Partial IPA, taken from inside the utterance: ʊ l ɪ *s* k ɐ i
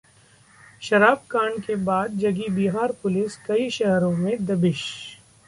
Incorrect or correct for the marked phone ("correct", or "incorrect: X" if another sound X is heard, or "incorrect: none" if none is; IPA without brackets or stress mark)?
correct